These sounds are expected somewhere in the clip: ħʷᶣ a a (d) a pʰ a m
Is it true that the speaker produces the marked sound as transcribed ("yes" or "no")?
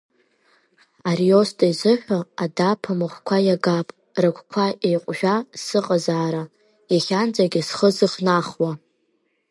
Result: yes